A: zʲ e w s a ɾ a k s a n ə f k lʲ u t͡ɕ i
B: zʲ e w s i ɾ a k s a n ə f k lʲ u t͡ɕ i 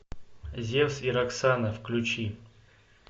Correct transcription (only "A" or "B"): B